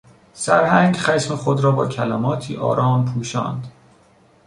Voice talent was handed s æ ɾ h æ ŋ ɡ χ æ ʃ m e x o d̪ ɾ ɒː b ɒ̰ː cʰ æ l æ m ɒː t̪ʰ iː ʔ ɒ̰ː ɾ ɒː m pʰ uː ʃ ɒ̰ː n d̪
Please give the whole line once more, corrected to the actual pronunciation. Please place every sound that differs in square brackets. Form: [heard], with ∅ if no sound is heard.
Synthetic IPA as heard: s æ ɾ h æ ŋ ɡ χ æ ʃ m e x o d̪ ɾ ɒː b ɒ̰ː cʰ æ l æ m ɒː t̪ʰ iː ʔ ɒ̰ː ɾ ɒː m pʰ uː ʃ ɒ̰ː n d̪